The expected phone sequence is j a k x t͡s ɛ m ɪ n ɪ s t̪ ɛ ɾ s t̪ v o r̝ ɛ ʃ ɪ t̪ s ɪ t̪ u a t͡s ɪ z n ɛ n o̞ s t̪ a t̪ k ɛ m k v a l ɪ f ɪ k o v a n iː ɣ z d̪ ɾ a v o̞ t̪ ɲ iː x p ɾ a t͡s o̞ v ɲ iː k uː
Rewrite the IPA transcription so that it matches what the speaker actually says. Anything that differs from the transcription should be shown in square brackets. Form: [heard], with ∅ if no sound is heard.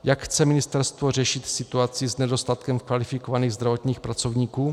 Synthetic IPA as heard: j a k x t͡s ɛ m ɪ n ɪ s t̪ ɛ ɾ s t̪ v o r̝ ɛ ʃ ɪ t̪ s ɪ t̪ u a t͡s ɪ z n ɛ [d] o̞ s t̪ a t̪ k ɛ m k v a l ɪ f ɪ k o v a n iː ɣ z d̪ ɾ a v o̞ t̪ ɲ iː x p ɾ a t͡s o̞ v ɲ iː k uː